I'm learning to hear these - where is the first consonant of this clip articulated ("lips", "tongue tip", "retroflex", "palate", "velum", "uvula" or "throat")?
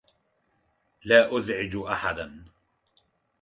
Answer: tongue tip